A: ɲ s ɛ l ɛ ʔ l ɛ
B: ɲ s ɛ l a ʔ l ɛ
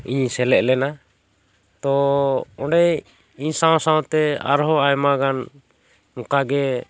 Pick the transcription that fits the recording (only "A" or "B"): A